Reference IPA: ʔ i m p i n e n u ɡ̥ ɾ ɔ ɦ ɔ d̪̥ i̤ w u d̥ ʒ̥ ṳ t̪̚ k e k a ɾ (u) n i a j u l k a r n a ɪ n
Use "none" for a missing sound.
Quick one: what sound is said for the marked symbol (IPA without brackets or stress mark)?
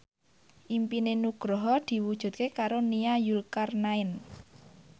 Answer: o